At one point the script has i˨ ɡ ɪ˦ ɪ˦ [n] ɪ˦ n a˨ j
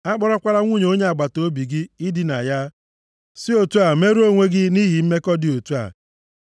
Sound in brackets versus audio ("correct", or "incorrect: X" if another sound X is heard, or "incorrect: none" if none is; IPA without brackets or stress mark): incorrect: d